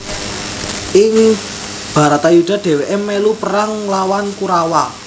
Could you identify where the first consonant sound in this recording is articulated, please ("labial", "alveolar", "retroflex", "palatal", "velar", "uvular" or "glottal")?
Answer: velar